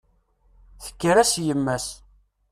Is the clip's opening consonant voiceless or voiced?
voiceless